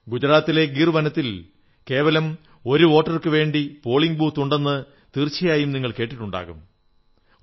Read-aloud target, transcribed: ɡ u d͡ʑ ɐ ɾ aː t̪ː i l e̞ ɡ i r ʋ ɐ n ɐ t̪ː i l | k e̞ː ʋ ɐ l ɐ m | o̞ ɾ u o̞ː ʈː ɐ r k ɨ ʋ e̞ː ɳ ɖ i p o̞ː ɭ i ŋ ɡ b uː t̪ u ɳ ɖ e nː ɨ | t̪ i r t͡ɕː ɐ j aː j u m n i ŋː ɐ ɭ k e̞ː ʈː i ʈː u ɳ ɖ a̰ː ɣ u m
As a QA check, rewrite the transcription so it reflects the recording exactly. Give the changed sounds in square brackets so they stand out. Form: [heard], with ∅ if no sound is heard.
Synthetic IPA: ɡ u d͡ʑ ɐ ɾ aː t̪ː i l e̞ ɡ i r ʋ ɐ n ɐ t̪ː i l | k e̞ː ʋ ɐ l ɐ m | o̞ ɾ u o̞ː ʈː ɐ r k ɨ ʋ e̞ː ɳ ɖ i p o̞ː ɭ i ŋ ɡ b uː t̪ u ɳ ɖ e nː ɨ | t̪ i r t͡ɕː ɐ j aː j u m n i ŋː ɐ ɭ k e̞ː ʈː i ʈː u ɳ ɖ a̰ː ɣ u m